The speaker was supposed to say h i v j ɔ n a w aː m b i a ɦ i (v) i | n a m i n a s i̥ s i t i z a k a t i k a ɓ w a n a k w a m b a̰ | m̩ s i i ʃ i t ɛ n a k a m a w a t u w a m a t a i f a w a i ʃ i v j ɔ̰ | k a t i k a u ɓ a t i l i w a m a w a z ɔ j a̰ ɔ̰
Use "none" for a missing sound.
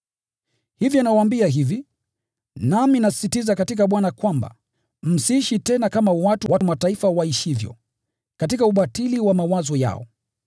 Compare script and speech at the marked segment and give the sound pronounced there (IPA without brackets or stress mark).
v